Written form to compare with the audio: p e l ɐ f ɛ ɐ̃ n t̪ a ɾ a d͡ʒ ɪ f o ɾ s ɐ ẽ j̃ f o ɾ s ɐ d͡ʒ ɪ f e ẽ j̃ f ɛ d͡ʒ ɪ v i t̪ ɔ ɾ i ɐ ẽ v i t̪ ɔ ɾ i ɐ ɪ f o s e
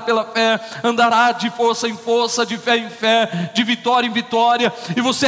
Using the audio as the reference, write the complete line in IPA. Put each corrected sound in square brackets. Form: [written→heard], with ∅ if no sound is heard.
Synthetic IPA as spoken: p e l ɐ f ɛ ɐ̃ n [t̪→d̪] a ɾ a d͡ʒ ɪ f o ɾ s ɐ ẽ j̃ f o ɾ s ɐ d͡ʒ ɪ f [e→ɛ] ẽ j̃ f ɛ d͡ʒ ɪ v i t̪ ɔ ɾ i ɐ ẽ v i t̪ ɔ ɾ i ɐ ɪ [f→v] o s e